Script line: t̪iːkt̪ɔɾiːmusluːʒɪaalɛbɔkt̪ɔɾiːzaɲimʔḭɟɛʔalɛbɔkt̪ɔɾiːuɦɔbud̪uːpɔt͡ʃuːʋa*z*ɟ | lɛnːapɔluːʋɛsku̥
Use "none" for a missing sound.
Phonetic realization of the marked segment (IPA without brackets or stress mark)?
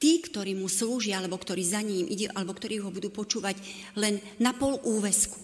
none